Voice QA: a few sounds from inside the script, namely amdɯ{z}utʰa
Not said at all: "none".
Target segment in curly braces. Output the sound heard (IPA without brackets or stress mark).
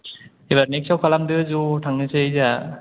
z